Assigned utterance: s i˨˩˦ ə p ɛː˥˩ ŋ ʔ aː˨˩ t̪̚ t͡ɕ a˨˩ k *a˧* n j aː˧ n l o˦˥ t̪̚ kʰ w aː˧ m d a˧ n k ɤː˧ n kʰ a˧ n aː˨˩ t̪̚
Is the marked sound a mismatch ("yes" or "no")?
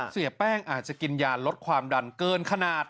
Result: yes